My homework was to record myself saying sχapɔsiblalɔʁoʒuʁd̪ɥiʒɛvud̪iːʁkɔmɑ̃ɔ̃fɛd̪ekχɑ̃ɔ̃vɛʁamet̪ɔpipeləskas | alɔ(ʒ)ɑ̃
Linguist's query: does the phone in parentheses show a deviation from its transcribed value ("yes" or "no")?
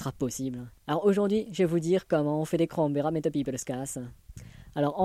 yes